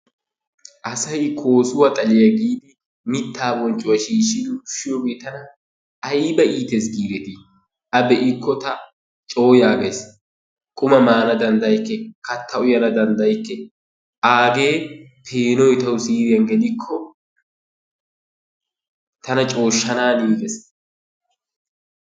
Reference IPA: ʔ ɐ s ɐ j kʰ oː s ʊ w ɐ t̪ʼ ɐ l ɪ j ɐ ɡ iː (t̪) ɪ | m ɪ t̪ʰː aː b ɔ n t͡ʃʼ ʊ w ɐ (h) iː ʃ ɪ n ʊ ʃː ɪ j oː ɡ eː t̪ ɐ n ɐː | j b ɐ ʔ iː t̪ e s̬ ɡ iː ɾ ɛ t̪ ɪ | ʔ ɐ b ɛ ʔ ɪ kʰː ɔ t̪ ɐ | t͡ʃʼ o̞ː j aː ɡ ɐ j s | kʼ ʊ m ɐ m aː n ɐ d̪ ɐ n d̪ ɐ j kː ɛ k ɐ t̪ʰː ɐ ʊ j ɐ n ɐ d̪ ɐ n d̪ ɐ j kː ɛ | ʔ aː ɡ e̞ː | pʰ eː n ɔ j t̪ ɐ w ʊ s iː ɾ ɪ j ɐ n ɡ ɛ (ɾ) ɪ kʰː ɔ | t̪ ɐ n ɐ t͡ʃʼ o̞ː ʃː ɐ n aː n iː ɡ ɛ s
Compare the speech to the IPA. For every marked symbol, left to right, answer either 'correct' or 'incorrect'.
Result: incorrect, incorrect, incorrect

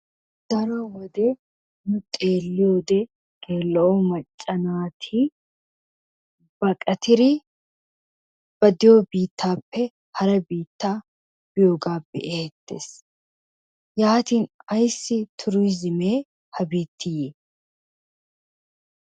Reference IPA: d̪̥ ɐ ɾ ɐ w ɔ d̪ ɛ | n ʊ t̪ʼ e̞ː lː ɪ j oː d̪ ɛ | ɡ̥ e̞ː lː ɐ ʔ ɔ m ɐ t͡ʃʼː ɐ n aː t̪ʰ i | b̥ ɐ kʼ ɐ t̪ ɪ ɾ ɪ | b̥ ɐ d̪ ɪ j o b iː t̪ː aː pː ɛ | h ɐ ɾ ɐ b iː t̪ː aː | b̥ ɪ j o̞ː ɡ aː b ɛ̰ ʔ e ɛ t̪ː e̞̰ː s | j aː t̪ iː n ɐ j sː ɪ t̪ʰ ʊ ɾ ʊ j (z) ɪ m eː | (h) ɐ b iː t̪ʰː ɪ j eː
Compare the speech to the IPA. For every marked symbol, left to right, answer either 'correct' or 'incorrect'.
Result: correct, correct

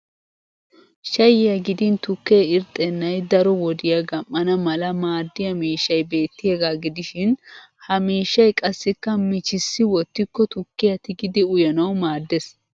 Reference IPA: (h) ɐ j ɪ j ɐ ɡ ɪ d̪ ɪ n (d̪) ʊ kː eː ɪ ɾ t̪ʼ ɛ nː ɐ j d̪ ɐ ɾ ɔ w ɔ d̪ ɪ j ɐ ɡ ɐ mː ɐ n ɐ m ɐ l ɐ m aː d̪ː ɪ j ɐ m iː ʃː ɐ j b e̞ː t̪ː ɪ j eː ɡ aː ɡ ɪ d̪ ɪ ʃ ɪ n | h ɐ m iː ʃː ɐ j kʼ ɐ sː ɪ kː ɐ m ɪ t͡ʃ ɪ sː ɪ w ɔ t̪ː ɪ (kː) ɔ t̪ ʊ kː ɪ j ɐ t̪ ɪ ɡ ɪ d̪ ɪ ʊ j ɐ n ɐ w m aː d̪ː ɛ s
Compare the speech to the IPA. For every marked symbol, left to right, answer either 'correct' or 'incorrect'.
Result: incorrect, incorrect, correct

